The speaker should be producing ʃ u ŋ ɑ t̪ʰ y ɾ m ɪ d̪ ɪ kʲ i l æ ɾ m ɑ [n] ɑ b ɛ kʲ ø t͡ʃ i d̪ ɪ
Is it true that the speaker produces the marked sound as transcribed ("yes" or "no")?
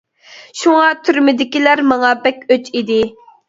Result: no